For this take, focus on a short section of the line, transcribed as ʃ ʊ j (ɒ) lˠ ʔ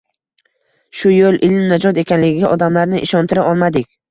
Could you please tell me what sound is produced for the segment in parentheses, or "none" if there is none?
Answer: o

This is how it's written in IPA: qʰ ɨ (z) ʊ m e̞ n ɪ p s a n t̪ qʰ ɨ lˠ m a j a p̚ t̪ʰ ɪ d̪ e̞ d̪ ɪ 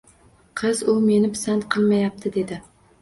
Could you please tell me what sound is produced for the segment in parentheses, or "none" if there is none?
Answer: z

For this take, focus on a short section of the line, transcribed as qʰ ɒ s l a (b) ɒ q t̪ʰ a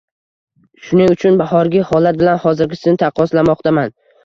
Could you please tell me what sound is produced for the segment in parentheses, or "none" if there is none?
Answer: m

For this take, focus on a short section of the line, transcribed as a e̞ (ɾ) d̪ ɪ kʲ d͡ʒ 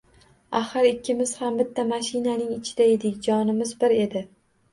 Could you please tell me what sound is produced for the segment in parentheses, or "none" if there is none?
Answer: none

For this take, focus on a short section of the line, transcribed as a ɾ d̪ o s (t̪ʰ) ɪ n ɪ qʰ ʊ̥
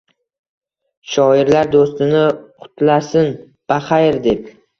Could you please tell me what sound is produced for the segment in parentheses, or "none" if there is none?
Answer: t̪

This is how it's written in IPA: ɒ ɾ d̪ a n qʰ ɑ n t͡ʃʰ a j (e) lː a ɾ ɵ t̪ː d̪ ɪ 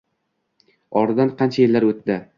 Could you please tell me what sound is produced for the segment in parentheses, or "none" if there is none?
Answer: e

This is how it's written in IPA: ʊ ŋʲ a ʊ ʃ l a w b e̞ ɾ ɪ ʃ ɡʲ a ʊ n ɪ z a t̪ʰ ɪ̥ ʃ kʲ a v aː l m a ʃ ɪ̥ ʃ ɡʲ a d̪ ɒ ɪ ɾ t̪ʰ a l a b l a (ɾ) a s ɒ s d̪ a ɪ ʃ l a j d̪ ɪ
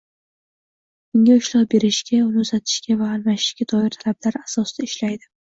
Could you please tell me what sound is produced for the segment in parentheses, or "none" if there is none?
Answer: ɾ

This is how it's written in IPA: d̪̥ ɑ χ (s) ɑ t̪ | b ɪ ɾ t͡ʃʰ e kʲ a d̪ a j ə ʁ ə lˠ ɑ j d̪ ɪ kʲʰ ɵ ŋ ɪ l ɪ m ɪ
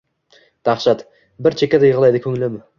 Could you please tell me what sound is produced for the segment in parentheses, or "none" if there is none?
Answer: ʃ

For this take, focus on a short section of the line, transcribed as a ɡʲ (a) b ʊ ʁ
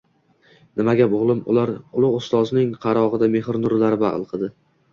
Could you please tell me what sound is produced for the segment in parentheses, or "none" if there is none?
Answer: a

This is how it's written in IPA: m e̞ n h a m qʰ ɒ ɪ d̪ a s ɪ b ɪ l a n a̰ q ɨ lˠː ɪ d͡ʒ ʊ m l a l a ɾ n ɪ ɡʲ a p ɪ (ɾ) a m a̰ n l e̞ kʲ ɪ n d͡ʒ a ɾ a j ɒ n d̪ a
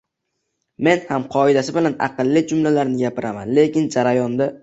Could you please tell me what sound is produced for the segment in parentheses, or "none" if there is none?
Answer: ɾ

